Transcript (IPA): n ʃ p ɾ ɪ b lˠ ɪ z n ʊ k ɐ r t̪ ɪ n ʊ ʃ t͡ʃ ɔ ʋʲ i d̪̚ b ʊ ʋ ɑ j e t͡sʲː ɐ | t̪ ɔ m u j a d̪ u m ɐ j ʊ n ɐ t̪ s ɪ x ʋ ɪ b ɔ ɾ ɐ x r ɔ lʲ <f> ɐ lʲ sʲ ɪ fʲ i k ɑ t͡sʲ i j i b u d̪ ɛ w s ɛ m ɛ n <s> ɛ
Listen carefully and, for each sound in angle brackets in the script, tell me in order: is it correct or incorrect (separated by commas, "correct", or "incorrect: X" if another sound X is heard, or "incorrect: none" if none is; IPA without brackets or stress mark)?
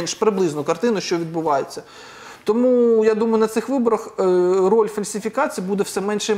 correct, incorrect: ʃ